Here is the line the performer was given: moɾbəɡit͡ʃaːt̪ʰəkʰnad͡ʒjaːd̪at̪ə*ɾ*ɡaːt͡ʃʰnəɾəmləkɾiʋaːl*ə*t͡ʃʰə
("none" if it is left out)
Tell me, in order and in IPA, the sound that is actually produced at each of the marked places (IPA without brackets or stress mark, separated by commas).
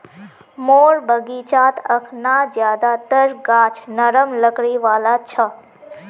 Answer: ɾ, a